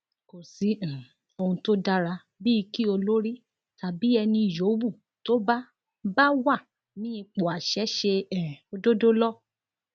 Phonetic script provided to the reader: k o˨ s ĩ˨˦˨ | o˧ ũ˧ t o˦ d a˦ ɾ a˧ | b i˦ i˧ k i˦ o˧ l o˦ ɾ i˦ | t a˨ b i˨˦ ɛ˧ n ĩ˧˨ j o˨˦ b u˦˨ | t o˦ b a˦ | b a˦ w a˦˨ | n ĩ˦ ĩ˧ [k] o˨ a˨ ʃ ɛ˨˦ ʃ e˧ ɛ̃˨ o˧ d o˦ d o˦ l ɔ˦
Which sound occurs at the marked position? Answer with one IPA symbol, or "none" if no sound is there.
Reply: k͡p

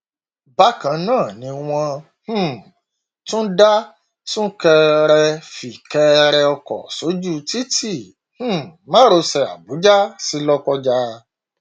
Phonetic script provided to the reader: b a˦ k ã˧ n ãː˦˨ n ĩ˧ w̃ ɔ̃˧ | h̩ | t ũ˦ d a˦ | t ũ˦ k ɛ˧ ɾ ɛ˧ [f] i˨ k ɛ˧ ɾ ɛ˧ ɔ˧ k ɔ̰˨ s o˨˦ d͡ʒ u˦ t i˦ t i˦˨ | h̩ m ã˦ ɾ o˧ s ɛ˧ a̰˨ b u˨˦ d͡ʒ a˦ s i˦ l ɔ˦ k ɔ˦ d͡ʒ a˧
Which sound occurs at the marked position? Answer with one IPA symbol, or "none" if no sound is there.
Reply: f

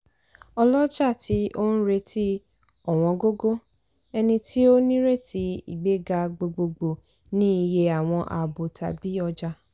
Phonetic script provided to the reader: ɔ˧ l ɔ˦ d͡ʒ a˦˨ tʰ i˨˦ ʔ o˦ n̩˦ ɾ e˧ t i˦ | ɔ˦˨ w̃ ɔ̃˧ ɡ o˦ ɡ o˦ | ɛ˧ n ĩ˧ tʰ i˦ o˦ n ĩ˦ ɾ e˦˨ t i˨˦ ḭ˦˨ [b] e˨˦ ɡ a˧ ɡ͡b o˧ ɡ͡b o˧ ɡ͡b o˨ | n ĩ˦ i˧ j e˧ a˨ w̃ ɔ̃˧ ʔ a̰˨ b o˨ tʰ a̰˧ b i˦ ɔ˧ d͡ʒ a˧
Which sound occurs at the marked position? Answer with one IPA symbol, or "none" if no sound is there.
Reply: ɡ͡b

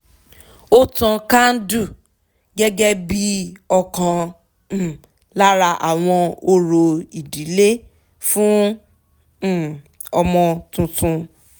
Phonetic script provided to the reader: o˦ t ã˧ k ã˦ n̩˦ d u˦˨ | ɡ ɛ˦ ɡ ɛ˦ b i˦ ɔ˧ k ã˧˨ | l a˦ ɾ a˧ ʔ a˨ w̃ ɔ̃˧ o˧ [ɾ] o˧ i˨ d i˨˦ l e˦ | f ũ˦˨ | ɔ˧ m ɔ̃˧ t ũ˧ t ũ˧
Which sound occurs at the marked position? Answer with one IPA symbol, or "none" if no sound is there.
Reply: ɾ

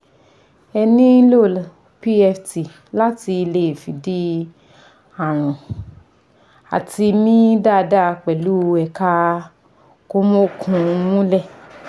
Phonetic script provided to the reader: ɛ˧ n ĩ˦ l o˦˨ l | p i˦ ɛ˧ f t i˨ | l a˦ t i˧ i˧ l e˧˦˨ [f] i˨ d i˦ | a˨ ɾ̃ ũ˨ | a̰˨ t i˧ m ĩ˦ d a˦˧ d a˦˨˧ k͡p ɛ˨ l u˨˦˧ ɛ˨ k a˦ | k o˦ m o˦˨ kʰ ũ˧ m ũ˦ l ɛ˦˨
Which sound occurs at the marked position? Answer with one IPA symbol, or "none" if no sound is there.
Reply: f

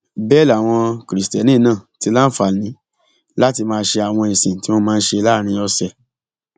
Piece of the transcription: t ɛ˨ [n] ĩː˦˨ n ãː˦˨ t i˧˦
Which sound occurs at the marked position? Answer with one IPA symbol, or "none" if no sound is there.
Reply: n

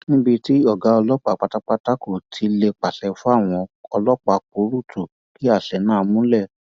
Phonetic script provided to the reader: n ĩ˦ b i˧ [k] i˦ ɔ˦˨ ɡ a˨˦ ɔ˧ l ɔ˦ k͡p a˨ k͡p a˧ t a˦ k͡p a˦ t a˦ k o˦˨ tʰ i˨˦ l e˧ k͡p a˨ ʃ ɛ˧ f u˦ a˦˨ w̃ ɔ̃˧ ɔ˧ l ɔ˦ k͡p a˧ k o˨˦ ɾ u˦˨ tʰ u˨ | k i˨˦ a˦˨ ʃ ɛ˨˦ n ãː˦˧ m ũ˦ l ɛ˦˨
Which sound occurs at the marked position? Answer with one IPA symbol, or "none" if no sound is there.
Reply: t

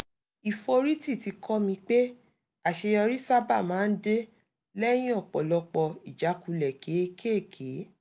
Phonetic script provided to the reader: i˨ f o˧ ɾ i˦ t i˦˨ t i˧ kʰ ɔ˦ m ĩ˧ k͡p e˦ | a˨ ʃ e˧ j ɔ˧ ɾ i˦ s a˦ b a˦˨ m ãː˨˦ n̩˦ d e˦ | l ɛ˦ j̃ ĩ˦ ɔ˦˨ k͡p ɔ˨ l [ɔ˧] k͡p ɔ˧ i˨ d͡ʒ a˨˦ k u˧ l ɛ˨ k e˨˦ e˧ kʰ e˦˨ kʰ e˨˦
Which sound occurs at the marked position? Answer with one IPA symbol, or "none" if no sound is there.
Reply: ɔ˧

